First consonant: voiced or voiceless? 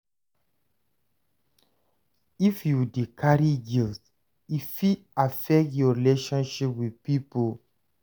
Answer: voiceless